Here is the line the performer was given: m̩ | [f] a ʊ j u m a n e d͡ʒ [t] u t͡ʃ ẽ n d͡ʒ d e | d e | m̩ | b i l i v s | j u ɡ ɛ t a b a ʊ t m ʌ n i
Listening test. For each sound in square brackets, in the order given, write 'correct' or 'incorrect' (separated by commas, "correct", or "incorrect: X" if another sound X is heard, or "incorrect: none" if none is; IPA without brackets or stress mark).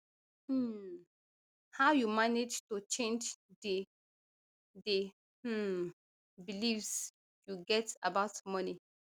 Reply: incorrect: h, correct